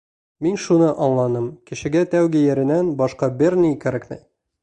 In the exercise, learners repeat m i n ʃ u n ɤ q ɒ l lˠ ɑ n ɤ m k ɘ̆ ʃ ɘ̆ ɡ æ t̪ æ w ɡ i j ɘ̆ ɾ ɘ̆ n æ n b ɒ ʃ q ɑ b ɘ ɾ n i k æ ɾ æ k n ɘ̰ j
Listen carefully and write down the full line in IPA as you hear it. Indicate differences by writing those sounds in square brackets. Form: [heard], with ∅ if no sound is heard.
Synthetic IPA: m i n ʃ u n ɤ [ʔ] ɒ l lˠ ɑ n ɤ m k ɘ̆ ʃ ɘ̆ ɡ æ t̪ æ w ɡ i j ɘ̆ ɾ ɘ̆ n æ n b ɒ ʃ q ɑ b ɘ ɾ n i k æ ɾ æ k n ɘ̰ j